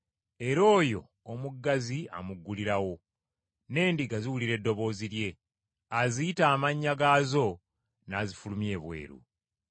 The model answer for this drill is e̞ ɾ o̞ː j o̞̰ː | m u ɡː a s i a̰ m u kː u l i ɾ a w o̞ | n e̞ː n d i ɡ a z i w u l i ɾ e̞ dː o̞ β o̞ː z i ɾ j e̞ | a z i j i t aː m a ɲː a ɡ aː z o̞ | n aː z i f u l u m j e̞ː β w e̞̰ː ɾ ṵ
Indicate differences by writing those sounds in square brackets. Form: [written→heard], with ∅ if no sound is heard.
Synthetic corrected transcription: e̞ ɾ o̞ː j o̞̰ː | m u ɡː a [s→z] i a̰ m u [kː→ɡː] u l i ɾ a w o̞ | n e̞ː n d i ɡ a z i w u l i ɾ e̞ dː o̞ β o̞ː z i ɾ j e̞ | a z i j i t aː m a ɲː a ɡ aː z o̞ | n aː z i f u l u m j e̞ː β w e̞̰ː ɾ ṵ

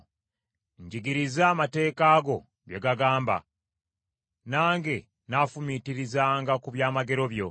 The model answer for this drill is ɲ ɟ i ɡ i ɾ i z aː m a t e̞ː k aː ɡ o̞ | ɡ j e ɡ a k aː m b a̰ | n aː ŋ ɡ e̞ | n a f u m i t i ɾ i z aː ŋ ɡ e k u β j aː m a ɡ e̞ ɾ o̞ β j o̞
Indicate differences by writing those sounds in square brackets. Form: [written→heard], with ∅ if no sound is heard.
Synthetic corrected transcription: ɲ ɟ i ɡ i ɾ i z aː m a t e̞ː k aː ɡ o̞ | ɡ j e ɡ a [k→ɡ] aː m b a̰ | n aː ŋ ɡ e̞ | n a f u m i t i ɾ i z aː ŋ ɡ [e→a] k u β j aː m a ɡ e̞ ɾ o̞ β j o̞

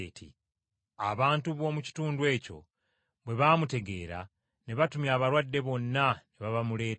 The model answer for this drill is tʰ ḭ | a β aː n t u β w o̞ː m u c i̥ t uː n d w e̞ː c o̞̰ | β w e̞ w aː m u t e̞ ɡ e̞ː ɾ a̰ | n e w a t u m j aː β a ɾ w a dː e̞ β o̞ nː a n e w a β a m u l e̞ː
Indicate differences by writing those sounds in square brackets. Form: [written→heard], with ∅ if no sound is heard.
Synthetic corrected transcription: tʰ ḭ | a β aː n t u β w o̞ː m u c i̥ t uː n d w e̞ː c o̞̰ | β w e̞ [w→β] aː m u t e̞ ɡ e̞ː ɾ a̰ | n e [w→β] a t u m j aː β a ɾ w a dː e̞ β o̞ nː a n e [w→β] a β a m u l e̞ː

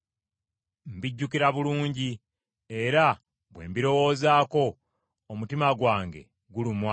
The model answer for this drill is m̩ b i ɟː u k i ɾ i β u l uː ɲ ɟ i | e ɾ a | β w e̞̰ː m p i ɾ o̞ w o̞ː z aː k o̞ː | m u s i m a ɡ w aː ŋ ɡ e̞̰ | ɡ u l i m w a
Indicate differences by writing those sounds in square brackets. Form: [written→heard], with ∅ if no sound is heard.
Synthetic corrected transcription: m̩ b i ɟː u k i ɾ [i→a] β u l uː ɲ ɟ i | e ɾ a | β w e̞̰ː m [p→b] i ɾ o̞ w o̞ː z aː k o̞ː | m u [s→t] i m a ɡ w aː ŋ ɡ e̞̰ | ɡ u l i m w a

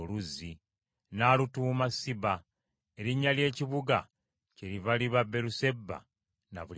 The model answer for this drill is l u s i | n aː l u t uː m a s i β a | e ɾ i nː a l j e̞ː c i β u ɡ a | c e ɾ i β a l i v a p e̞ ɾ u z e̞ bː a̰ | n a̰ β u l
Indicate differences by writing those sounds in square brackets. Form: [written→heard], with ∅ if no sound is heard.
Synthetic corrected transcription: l u [s→z] i | n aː l u t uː m a s i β a | e ɾ i [nː→ɲː] a l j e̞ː c i β u ɡ a | c e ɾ i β a l i [v→β] a [p→b] e̞ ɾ u [z→s] e̞ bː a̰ | n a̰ β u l

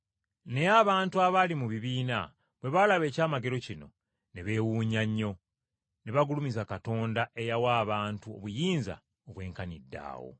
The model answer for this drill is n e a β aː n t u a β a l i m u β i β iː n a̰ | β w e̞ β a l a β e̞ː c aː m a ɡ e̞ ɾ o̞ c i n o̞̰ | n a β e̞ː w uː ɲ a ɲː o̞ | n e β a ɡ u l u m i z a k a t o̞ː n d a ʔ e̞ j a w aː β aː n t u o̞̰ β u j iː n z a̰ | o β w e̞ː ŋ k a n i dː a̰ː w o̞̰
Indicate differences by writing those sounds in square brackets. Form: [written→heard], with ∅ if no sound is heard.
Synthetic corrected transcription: n e a β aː n t u a β a l i m u β i β iː n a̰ | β w e̞ β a l a β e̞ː c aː m a ɡ e̞ ɾ o̞ c i n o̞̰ | n [a→e] β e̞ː w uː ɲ a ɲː o̞ | n e β a ɡ u l u m i z a k a t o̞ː n d a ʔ e̞ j a w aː β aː n t u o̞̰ β u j iː n z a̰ | o β w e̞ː ŋ k a n i dː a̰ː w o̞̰

